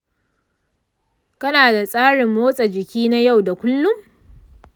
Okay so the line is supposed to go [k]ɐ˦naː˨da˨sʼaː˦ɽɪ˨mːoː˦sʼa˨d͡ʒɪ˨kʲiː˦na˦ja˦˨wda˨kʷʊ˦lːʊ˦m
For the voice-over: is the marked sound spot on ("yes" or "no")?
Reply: yes